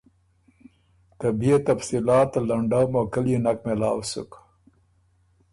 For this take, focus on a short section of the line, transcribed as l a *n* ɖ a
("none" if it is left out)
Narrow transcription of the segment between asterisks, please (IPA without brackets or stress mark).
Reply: ɳ